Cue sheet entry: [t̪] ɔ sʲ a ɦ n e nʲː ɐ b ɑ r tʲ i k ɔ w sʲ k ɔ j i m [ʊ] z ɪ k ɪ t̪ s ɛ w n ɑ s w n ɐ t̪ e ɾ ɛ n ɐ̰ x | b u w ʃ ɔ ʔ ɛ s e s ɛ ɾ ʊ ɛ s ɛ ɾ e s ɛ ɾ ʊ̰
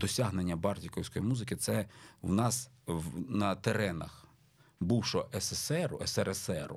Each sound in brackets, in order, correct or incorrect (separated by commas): incorrect, incorrect